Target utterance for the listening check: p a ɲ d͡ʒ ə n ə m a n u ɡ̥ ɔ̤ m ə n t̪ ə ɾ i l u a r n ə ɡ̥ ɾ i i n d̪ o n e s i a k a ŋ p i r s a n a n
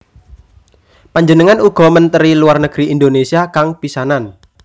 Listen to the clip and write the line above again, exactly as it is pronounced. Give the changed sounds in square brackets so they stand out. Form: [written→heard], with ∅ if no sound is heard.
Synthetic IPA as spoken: p a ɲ d͡ʒ ə n ə [m→ŋ] a n u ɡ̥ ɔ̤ m ə n t̪ ə ɾ i l u a r n ə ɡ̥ ɾ i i n d̪ o n e s i a k a ŋ p i [r→∅] s a n a n